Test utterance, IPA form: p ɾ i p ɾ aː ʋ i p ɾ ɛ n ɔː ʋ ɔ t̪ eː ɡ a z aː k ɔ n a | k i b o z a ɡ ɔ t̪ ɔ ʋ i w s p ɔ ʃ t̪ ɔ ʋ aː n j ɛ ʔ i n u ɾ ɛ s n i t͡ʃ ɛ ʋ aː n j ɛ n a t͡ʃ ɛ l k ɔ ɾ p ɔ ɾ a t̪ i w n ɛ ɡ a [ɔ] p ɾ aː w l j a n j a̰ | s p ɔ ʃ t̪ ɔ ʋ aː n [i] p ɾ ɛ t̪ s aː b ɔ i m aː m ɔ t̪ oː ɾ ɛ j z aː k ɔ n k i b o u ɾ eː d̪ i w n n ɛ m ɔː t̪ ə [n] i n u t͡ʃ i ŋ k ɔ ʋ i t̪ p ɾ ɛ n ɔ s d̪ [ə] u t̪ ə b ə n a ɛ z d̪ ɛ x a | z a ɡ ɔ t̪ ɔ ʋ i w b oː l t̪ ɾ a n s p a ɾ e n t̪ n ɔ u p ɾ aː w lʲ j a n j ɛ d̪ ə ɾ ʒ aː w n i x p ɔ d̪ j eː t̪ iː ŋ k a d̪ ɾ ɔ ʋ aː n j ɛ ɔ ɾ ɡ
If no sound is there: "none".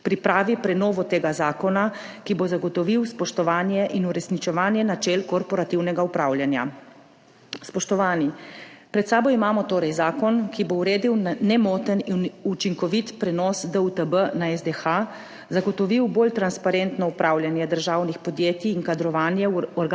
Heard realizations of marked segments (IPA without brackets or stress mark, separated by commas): u, i, n, ə